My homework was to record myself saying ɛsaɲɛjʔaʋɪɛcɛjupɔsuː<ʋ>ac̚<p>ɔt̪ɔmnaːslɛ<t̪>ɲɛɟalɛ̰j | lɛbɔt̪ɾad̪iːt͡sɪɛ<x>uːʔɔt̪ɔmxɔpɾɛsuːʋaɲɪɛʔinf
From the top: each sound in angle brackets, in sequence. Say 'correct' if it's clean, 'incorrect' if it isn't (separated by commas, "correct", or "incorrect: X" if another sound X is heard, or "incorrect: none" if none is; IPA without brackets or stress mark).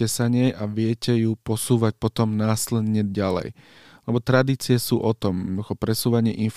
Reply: correct, correct, incorrect: d̪, incorrect: s